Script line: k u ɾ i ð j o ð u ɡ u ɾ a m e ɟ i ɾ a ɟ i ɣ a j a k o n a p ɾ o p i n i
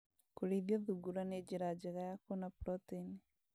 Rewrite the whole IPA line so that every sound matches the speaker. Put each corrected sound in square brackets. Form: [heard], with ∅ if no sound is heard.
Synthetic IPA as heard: k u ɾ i ð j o ð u ɡ u ɾ a [n] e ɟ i ɾ a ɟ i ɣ a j a k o n a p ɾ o [t] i n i